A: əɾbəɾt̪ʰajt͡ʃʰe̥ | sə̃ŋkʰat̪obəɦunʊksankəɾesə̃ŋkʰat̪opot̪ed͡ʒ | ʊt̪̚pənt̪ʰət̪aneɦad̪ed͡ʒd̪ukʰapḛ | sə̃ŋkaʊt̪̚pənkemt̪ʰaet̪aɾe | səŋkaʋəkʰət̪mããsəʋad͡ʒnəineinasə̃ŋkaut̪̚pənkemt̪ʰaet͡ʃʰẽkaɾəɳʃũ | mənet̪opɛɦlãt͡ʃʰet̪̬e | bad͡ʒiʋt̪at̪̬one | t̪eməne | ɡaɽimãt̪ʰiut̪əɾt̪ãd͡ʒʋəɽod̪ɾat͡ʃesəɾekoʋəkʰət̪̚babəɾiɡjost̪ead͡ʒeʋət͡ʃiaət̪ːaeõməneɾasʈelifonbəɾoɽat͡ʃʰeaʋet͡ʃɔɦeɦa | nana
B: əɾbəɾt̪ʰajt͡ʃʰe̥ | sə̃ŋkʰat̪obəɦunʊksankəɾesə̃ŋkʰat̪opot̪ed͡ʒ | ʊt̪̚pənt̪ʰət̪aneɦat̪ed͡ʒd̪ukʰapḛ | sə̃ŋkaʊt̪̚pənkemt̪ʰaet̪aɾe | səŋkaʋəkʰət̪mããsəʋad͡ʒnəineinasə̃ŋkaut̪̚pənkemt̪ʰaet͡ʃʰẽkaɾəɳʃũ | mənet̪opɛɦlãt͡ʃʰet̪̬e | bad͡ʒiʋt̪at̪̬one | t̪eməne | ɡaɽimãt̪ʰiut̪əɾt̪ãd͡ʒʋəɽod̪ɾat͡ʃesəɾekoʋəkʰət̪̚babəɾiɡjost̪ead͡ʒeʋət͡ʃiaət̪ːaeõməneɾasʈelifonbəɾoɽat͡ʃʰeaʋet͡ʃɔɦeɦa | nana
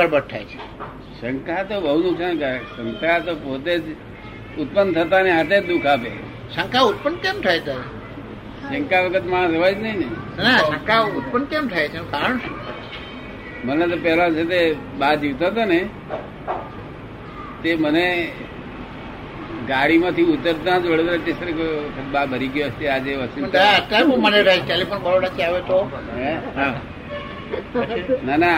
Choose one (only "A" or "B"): B